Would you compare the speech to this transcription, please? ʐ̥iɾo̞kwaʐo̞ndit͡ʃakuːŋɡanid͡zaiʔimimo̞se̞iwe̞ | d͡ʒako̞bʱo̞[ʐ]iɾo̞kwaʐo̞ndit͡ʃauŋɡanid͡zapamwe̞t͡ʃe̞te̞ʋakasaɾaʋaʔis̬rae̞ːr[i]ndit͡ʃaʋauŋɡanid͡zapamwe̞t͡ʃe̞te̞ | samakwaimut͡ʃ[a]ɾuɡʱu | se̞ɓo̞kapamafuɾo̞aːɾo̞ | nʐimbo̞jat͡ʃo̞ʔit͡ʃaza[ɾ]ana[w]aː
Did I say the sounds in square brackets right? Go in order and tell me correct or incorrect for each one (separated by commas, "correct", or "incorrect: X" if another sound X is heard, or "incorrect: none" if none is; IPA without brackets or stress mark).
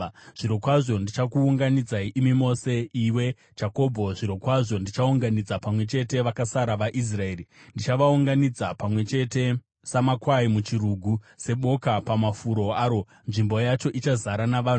correct, correct, incorrect: i, correct, incorrect: ʋ